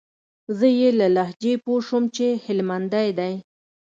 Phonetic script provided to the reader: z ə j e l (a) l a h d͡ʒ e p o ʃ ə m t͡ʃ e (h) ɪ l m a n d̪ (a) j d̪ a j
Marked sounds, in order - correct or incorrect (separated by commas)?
correct, correct, correct